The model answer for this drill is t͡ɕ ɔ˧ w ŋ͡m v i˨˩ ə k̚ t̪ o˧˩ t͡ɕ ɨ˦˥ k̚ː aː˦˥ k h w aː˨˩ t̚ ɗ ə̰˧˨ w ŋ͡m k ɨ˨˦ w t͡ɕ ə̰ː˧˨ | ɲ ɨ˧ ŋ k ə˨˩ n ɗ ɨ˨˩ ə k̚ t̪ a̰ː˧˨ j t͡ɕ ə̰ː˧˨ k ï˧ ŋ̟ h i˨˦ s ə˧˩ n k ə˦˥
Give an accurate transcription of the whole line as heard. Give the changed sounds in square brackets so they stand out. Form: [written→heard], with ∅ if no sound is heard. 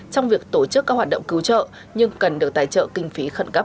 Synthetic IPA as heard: t͡ɕ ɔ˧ w ŋ͡m v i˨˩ ə k̚ t̪ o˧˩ t͡ɕ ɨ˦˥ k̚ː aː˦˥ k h w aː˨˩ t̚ ɗ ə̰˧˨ w ŋ͡m k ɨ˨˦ w t͡ɕ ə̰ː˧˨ | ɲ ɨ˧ ŋ k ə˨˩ n ɗ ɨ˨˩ ə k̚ t̪ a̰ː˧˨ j t͡ɕ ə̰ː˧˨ k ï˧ ŋ̟ [h→f] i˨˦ [s→x] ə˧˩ n k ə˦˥